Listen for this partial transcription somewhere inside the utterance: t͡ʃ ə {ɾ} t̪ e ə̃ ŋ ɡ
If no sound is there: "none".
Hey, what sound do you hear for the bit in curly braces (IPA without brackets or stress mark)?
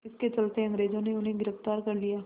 l